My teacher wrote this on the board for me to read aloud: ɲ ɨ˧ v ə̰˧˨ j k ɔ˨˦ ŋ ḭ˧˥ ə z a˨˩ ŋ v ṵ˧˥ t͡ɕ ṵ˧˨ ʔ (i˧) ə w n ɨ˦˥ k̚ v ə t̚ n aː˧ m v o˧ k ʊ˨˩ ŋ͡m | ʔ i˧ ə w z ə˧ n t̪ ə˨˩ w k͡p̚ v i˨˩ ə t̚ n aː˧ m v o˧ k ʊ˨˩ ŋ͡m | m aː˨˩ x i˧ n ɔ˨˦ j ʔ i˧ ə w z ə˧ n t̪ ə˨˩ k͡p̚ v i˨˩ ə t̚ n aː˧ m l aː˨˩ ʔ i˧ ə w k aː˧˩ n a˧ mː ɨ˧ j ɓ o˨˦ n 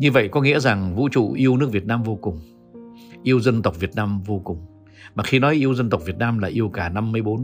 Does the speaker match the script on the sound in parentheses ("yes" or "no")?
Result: yes